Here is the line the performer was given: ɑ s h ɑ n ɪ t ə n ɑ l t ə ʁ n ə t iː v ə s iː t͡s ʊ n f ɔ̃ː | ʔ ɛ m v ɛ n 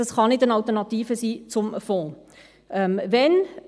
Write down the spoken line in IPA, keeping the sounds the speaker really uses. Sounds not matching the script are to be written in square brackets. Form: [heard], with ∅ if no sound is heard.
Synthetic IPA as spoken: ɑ s [χ] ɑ n ɪ t ə n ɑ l t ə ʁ n [ɑ] t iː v ə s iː t͡s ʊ [m] f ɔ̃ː | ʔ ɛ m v ɛ n

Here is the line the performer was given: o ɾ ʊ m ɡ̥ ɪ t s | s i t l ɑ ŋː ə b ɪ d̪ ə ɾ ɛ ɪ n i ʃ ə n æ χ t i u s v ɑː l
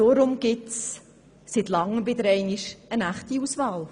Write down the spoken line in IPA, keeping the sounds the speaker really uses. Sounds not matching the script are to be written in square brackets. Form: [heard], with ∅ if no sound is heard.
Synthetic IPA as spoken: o ɾ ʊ m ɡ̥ ɪ t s | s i t l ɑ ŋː ə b ɪ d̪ ə ɾ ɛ ɪ n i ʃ ə n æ χ t i u s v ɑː l

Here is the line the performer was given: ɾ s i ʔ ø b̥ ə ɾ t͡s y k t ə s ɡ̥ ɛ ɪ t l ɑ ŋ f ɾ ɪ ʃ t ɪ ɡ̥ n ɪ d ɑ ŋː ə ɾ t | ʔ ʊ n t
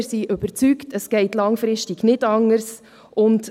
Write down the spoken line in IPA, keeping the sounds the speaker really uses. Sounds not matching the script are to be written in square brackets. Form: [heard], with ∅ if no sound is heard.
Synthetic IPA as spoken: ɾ s i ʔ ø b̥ ə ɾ t͡s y k t ə s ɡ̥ ɛ ɪ t l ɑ ŋ f ɾ ɪ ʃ t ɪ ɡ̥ n ɪ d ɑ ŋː ə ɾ [s] | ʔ ʊ n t

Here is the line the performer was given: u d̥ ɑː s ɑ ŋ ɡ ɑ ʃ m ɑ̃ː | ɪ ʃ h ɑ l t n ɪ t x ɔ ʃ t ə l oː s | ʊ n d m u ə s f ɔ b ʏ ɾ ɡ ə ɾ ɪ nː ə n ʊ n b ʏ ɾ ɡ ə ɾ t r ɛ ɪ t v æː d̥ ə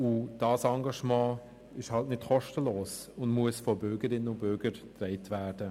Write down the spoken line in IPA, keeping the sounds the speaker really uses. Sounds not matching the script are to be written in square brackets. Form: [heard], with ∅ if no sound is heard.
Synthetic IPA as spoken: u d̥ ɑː s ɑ ŋ ɡ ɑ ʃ m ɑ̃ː | ɪ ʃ h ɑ l t n ɪ t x ɔ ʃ t ə l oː s | ʊ n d m u ə s f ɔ b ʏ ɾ ɡ ə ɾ ɪ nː ə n ʊ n b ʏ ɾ ɡ ə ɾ t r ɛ ɪ t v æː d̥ ə

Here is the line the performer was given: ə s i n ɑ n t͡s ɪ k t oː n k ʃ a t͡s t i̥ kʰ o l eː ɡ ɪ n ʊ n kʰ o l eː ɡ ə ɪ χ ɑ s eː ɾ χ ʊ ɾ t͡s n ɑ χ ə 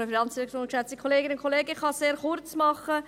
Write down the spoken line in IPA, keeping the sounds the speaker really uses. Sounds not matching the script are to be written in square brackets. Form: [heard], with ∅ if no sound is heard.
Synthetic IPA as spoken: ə [f] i n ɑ n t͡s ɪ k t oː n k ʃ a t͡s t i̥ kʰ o l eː ɡ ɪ n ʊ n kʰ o l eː ɡ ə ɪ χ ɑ s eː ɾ χ ʊ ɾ t͡s [m] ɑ χ ə

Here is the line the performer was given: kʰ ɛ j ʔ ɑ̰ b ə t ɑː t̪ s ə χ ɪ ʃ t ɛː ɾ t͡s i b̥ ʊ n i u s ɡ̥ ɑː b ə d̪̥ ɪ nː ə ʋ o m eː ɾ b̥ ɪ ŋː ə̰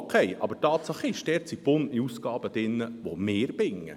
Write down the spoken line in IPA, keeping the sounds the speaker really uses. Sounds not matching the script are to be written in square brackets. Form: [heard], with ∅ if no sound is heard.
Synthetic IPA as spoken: kʰ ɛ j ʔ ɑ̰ b ə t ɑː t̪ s [ɑ] χ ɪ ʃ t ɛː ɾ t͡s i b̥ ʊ n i u s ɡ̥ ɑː b ə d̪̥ ɪ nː ə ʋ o m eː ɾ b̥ ɪ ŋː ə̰

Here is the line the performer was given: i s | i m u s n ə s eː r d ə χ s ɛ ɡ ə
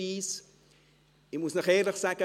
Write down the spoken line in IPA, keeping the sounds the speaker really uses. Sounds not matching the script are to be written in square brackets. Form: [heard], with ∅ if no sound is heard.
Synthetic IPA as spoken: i s | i m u s n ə [χ] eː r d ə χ s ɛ [k] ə

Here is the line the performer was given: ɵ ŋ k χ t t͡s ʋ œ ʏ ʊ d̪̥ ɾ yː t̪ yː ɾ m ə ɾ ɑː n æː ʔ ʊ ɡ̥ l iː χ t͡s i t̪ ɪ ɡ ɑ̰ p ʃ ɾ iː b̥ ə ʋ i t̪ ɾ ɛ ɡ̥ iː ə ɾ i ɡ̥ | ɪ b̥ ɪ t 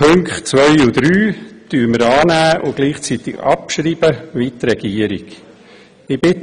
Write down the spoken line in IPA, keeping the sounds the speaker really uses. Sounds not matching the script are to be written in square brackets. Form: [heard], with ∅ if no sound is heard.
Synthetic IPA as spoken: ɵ ŋ k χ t t͡s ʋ œ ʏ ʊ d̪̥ ɾ yː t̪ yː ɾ m ə ɾ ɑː n æː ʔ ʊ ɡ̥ l iː χ t͡s i t̪ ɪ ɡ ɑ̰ p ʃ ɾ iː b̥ ə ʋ i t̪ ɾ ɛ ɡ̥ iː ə ɾ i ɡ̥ | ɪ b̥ ɪ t

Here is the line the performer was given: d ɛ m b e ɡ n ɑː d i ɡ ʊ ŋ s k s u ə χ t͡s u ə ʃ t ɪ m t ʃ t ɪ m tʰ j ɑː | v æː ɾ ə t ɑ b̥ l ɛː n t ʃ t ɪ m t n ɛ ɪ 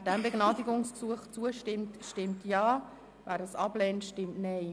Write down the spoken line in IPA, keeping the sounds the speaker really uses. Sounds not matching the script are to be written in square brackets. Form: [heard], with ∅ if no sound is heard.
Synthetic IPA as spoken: d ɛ m b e ɡ n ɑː d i ɡ ʊ ŋ s k s u ə χ t͡s u ə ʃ t ɪ m t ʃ t ɪ m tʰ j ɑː | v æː ɾ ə [s] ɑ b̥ l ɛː n t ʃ t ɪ m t n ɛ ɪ

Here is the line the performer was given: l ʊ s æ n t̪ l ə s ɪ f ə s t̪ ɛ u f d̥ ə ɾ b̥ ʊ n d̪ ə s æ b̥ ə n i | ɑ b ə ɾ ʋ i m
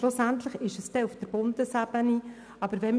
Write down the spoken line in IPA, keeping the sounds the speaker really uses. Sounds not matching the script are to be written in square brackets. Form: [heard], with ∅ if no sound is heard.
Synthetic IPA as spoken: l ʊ s æ n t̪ l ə [χ] ɪ [ʃ] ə s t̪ ɛ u f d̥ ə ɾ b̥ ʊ n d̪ ə s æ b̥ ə n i | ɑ b ə ɾ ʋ [ɛ] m

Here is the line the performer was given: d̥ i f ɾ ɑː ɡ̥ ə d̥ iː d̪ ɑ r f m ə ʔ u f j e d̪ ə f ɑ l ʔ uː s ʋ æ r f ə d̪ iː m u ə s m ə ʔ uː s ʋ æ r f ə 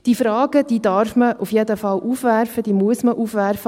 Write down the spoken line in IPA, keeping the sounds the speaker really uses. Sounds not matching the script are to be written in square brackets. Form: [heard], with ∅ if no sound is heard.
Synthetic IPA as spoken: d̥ i f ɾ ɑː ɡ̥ ə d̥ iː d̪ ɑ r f m ə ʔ u f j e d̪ ə f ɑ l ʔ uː [f] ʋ æ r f ə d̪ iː m u ə s m ə ʔ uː [f] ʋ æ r f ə

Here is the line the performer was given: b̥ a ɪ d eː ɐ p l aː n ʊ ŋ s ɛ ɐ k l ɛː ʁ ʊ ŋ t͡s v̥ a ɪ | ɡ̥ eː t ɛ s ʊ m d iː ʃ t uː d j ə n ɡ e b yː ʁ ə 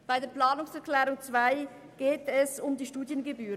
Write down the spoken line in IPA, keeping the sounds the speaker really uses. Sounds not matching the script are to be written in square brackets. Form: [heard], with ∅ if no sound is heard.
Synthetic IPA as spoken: b̥ a ɪ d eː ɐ p l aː n ʊ ŋ s ɛ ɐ k l ɛː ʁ ʊ ŋ t͡s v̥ a ɪ | ɡ̥ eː t ɛ s ʊ m d iː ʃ t uː d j ə n ɡ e b yː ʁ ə

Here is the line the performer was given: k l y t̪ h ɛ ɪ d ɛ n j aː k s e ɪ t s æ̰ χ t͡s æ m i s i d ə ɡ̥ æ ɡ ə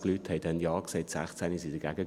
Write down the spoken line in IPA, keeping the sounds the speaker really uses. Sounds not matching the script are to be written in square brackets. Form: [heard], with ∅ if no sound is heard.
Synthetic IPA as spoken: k l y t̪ h ɛ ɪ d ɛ n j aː k s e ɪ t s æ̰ χ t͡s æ [n] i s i d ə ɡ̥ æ ɡ ə

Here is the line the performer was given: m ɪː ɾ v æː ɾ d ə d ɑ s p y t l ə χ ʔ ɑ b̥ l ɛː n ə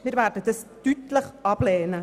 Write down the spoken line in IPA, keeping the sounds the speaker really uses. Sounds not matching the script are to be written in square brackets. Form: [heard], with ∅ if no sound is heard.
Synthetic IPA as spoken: m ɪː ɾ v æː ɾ d ə d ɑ s [t] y t l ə χ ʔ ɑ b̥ l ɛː n ə

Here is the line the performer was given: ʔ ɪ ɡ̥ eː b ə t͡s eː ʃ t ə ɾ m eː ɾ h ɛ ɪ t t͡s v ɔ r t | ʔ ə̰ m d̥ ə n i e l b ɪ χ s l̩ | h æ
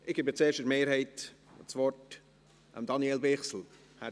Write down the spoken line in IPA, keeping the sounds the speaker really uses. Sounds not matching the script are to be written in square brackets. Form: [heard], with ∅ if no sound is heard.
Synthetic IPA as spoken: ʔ ɪ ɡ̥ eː b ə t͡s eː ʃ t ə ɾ m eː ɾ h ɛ ɪ t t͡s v ɔ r t | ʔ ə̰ m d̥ [ɑ] n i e l b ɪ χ s l̩ | h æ

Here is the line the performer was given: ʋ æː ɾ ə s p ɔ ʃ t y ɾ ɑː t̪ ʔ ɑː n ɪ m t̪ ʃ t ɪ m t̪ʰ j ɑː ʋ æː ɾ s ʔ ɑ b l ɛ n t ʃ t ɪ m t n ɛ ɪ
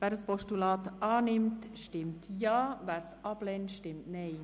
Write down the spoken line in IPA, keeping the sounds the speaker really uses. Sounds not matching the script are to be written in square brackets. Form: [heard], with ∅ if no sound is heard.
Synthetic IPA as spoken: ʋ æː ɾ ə s p ɔ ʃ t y [l] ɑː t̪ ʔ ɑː n ɪ m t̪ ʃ t ɪ m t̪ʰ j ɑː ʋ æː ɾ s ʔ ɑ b l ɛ n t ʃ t ɪ m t n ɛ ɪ

